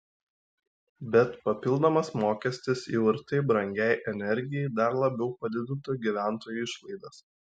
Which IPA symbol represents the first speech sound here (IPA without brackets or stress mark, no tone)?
bʲ